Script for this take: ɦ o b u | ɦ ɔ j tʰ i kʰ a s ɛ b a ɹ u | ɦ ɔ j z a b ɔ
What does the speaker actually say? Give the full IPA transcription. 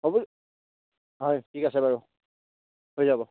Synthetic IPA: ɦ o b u | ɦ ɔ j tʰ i k a s ɛ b a ɹ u | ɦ o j z a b ɔ